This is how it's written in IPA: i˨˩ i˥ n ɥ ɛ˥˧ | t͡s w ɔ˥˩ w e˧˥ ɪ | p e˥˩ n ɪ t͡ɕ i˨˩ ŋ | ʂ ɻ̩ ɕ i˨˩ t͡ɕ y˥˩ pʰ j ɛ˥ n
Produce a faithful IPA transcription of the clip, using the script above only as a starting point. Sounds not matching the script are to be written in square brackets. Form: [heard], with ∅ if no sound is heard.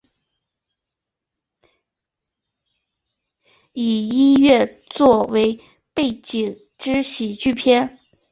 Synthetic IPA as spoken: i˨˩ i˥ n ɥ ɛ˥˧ | t͡s w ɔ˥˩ w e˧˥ ɪ | p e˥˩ [∅] ɪ t͡ɕ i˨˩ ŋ | [ʈ͡ʂ] ɻ̩ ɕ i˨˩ t͡ɕ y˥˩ pʰ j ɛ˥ n